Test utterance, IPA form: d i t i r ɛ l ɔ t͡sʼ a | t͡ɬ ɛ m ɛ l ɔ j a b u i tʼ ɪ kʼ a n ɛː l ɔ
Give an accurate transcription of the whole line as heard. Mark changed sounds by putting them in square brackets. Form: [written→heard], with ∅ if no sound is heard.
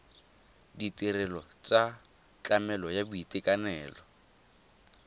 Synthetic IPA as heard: d i t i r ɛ l ɔ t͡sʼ a | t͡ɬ [ɛ→a] m ɛ l ɔ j a b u i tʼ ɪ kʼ a n ɛː l ɔ